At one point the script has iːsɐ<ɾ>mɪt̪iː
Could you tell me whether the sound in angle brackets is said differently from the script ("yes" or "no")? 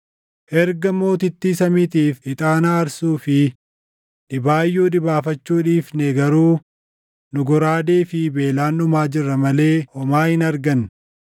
yes